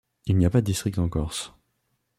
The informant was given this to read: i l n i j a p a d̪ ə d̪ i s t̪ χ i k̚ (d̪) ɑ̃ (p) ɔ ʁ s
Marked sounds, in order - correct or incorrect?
incorrect: t̪, incorrect: k

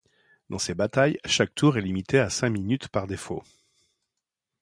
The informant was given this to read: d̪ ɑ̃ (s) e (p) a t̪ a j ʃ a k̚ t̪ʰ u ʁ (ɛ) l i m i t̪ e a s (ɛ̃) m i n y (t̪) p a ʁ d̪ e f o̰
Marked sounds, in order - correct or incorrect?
correct, incorrect: b, correct, correct, correct

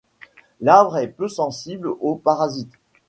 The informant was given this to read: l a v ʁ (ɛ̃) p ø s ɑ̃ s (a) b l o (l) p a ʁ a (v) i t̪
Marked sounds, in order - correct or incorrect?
incorrect: ɛ, incorrect: i, incorrect: none, incorrect: z

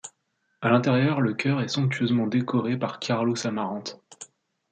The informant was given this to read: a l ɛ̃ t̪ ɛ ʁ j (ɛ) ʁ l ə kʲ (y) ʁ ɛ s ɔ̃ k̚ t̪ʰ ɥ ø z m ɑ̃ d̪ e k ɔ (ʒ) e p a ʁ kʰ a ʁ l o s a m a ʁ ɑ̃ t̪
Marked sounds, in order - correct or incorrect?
incorrect: œ, incorrect: œ, incorrect: ʁ

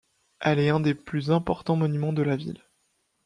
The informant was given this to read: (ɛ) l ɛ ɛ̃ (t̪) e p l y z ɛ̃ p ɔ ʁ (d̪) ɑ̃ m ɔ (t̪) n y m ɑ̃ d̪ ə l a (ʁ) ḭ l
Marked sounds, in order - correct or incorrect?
correct, incorrect: d̪, incorrect: t̪, incorrect: none, incorrect: v

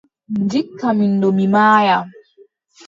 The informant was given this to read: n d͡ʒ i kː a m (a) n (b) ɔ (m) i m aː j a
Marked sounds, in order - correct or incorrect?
incorrect: i, incorrect: d, correct

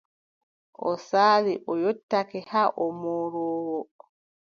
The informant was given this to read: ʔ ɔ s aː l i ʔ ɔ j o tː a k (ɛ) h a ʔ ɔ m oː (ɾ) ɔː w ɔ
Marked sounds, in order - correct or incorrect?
correct, correct

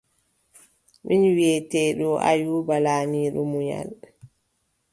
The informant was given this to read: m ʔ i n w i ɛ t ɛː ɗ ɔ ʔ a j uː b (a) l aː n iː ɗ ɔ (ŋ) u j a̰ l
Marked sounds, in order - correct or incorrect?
correct, incorrect: m

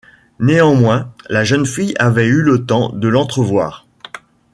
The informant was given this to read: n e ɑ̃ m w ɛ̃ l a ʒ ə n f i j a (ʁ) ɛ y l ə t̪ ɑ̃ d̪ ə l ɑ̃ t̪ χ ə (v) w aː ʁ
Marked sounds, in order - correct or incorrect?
incorrect: v, correct

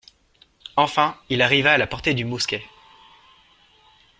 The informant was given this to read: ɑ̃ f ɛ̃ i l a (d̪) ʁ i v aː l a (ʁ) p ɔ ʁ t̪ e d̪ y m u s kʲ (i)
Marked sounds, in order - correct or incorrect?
incorrect: none, incorrect: none, incorrect: ɛ

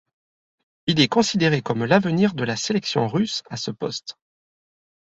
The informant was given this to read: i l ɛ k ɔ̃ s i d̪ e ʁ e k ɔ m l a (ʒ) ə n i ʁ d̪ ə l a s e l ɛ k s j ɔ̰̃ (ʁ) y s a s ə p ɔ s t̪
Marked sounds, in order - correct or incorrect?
incorrect: v, correct

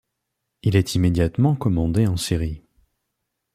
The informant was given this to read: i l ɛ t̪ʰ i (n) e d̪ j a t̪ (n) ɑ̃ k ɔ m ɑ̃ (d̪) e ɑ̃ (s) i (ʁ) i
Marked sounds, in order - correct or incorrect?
incorrect: m, incorrect: m, correct, correct, correct

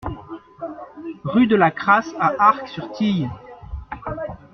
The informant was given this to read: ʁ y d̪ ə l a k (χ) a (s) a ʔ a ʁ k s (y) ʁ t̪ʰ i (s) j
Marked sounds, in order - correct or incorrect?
correct, correct, correct, incorrect: none

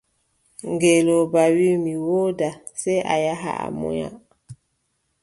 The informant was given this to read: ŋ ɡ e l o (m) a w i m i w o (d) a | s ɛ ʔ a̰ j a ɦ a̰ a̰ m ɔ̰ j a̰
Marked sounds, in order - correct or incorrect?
incorrect: b, correct

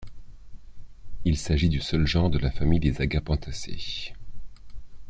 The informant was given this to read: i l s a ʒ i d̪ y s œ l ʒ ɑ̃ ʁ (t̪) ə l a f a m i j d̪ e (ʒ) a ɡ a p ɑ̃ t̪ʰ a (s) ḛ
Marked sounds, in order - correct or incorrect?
incorrect: d̪, incorrect: z, correct

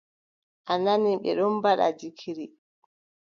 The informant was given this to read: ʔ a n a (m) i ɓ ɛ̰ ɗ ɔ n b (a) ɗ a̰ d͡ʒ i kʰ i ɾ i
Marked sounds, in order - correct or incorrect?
incorrect: n, correct

